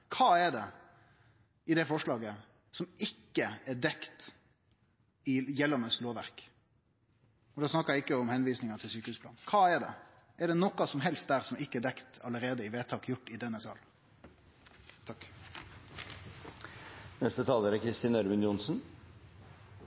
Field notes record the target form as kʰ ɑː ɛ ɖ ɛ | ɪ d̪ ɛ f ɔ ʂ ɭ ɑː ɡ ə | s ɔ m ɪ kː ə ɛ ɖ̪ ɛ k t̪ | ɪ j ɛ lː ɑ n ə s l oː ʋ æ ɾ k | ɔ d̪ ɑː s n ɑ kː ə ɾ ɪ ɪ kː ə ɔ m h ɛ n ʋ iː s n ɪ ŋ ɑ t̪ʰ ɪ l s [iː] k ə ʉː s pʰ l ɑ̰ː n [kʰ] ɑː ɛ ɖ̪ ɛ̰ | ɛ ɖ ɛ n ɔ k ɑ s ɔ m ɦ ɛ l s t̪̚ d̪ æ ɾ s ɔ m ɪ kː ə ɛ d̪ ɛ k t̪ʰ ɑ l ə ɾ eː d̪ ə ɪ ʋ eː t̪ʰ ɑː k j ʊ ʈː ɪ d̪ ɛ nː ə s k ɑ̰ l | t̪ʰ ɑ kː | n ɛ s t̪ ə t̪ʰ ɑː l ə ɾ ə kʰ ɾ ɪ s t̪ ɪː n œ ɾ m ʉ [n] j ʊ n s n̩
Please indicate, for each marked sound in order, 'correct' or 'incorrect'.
incorrect: yː, correct, correct

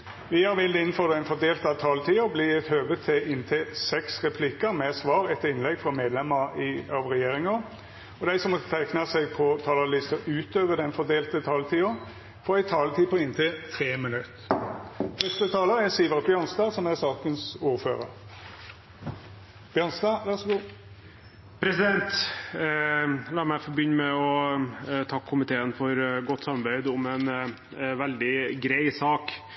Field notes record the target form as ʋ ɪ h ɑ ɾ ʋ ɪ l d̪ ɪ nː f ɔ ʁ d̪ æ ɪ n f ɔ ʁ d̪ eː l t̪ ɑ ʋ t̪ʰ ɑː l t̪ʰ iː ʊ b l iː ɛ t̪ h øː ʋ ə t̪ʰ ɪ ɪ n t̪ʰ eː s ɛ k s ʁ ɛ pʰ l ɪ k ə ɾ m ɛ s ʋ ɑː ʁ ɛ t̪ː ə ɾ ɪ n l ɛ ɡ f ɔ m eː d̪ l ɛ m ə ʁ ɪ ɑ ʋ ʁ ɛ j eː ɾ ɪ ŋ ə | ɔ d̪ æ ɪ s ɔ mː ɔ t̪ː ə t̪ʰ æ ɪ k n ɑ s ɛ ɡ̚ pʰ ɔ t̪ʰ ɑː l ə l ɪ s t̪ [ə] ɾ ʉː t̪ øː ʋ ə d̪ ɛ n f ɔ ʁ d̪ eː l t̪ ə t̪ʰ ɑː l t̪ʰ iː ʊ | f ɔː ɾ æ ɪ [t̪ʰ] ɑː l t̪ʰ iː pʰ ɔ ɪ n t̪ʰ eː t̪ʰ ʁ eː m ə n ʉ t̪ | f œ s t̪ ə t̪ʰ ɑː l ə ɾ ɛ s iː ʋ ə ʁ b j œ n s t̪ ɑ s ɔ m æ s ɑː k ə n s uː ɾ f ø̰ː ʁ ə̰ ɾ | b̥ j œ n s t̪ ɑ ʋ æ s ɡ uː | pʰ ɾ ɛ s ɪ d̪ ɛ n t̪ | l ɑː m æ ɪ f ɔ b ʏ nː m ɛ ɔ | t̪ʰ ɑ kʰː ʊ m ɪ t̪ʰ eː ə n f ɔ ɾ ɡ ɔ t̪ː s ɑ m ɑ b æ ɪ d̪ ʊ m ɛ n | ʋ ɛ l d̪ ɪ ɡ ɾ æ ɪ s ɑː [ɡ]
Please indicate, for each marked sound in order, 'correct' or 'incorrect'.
correct, correct, incorrect: k

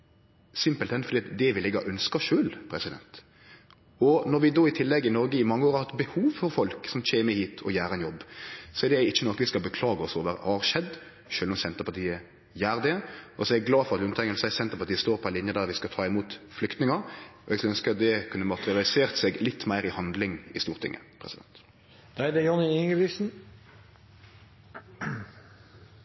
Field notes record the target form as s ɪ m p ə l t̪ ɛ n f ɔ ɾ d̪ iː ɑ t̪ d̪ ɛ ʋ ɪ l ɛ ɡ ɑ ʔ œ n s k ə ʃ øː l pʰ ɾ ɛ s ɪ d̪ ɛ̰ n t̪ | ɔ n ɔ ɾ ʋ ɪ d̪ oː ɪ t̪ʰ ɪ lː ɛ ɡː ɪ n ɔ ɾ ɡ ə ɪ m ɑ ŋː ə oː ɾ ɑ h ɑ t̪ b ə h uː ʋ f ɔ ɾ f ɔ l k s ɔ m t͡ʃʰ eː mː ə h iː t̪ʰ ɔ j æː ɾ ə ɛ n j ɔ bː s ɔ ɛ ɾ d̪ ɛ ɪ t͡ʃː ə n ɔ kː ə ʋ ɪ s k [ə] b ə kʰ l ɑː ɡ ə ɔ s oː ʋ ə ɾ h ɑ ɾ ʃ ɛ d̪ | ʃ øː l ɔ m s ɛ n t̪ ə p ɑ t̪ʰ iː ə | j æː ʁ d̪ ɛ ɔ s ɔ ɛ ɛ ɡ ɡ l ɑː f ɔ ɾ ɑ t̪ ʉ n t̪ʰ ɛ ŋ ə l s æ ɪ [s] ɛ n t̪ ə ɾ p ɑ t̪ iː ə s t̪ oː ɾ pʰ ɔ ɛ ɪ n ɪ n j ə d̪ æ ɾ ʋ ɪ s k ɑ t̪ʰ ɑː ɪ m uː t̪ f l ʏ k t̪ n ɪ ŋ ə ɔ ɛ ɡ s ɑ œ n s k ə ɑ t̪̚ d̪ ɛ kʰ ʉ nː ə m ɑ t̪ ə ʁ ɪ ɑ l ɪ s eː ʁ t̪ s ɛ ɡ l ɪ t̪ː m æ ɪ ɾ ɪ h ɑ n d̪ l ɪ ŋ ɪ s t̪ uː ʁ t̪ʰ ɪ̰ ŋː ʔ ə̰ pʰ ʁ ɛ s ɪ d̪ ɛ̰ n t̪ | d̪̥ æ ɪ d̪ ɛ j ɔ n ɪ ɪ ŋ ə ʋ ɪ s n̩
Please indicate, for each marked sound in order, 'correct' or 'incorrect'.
incorrect: ɑ, correct

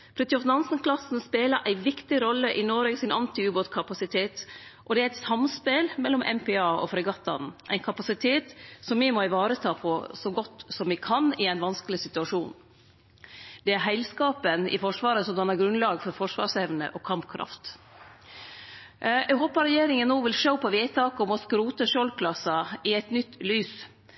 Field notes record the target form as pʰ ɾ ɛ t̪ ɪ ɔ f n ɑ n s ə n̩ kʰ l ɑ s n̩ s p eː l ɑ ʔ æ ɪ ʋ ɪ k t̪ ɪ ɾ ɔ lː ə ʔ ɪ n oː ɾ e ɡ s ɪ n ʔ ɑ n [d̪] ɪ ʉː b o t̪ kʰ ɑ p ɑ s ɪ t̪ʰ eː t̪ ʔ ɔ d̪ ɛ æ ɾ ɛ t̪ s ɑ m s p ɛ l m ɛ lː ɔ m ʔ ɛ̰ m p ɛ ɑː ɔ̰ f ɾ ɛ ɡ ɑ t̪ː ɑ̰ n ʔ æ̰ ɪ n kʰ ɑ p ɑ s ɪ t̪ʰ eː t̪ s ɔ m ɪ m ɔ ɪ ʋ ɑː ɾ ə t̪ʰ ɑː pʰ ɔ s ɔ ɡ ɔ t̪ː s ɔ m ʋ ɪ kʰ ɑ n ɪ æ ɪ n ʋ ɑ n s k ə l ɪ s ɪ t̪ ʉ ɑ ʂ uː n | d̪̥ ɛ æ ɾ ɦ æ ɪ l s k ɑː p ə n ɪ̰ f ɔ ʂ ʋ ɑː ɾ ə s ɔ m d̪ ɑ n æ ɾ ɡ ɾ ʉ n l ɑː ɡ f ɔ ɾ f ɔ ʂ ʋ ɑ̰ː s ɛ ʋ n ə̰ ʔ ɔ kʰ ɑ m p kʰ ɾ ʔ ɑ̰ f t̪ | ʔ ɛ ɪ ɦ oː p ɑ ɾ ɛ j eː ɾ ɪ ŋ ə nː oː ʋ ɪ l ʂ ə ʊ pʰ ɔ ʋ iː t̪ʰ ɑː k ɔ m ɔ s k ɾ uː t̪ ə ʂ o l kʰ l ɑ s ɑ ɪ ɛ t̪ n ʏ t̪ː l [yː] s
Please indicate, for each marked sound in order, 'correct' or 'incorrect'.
incorrect: t̪, correct

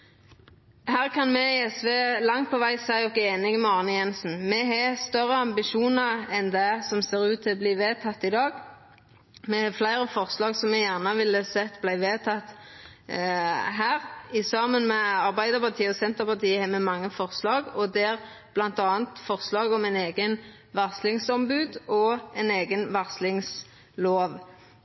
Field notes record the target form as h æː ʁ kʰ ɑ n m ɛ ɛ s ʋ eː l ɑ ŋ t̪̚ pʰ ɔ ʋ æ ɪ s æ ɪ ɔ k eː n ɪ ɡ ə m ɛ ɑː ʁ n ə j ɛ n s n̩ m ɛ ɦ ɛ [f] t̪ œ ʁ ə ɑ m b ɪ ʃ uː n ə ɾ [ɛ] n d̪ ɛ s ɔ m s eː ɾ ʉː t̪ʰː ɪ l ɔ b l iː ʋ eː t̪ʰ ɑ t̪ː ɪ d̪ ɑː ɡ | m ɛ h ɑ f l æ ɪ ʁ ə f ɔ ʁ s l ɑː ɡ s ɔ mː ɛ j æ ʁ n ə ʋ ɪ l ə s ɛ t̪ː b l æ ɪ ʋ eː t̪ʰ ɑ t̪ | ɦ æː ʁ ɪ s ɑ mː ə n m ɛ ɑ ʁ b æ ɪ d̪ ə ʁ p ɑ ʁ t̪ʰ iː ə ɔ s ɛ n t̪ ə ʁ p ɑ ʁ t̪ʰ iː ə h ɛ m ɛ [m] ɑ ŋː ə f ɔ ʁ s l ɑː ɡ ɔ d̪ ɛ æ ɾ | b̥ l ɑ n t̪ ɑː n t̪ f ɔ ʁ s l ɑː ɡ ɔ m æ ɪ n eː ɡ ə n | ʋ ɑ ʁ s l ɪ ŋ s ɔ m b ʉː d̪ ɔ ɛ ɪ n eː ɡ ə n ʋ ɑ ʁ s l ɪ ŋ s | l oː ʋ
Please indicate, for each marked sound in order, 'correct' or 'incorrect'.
incorrect: s, correct, correct

